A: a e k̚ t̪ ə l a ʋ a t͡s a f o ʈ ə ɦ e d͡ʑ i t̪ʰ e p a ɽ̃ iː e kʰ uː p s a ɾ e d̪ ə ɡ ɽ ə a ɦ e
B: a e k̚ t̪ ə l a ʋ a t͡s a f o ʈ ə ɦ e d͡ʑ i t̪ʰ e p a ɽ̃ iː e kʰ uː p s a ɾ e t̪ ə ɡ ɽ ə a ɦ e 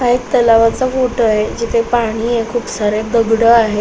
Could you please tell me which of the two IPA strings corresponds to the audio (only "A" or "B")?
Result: A